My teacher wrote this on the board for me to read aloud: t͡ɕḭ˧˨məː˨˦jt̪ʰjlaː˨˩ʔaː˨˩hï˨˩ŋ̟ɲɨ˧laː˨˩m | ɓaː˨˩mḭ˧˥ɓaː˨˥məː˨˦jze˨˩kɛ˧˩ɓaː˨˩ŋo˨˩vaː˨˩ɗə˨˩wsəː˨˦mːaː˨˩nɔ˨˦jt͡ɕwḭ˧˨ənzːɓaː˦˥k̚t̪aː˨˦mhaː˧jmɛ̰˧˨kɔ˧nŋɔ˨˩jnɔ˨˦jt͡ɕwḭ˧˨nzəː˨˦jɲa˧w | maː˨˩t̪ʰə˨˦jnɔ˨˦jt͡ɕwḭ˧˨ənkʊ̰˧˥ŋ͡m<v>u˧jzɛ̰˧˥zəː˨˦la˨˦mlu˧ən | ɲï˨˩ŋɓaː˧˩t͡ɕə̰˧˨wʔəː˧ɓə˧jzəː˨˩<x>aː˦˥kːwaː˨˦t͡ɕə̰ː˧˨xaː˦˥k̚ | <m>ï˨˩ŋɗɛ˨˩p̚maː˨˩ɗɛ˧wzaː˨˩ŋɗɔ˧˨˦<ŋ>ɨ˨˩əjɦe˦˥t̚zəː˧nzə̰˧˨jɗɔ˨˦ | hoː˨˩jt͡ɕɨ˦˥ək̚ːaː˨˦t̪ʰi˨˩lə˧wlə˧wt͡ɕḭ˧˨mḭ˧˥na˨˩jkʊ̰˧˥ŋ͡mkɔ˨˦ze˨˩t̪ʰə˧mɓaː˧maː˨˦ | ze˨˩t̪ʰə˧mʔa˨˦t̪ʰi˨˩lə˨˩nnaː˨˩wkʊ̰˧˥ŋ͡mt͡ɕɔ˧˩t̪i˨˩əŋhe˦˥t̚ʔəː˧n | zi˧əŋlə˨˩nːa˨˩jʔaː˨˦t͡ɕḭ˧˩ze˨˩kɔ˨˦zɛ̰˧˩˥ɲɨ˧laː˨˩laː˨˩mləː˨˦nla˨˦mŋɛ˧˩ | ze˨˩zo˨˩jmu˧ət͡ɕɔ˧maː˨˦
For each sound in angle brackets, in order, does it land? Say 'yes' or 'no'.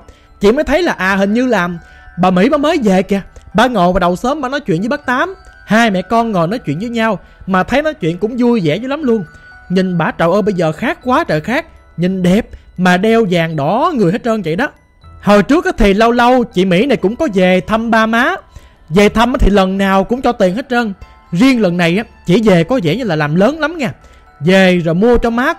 no, yes, no, yes

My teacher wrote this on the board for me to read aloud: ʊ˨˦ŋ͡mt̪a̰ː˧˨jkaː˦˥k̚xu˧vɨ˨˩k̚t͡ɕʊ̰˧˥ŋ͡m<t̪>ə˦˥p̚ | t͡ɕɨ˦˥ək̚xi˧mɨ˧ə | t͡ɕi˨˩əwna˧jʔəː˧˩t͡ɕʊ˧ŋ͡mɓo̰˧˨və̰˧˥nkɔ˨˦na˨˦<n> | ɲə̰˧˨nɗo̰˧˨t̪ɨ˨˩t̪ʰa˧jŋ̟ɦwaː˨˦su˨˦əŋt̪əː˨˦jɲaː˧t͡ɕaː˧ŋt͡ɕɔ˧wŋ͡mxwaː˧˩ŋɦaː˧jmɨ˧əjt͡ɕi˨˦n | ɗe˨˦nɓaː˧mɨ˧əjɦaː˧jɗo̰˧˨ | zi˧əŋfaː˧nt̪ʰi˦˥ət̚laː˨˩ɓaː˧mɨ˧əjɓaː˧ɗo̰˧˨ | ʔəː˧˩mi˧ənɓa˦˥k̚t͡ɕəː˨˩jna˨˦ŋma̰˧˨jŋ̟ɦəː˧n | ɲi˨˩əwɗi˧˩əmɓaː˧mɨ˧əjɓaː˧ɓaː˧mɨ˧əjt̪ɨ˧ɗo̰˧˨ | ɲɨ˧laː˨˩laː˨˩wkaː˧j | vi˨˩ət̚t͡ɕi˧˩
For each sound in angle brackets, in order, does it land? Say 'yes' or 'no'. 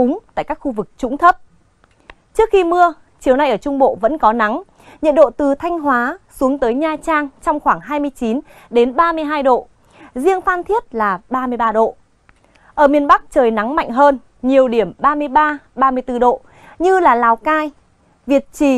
no, no

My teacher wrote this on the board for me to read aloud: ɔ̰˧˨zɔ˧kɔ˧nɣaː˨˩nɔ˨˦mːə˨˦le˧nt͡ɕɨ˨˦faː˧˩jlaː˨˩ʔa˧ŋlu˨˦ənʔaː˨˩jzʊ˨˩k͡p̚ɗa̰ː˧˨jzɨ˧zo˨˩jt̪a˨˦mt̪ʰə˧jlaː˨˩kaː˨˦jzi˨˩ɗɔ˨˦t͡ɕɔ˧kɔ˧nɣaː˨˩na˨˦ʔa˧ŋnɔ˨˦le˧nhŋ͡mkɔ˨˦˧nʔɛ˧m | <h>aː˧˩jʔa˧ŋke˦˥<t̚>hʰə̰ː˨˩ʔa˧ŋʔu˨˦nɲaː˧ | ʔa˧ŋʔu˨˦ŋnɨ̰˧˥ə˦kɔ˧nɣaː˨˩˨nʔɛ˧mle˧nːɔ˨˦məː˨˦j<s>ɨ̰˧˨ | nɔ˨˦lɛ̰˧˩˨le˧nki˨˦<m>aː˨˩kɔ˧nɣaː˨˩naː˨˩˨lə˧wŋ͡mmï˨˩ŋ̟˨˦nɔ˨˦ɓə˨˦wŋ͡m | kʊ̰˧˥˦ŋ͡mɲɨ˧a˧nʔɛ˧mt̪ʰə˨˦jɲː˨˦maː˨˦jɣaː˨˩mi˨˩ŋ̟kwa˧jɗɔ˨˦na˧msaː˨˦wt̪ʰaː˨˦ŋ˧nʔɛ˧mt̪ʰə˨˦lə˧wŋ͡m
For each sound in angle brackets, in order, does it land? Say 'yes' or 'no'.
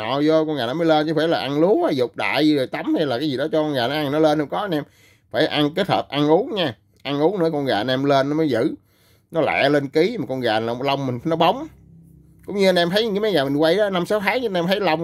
no, yes, no, yes

